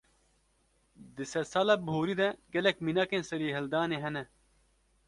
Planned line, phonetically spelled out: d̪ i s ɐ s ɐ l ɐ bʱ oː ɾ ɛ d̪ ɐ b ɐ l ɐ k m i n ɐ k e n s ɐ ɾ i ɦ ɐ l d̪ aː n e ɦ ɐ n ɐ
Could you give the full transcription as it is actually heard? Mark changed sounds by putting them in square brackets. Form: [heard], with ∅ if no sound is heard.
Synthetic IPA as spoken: d̪ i s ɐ s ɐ l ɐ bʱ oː ɾ [i] d̪ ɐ [ɡ] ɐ l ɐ k m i n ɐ k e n s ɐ ɾ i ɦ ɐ l d̪ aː n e ɦ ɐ n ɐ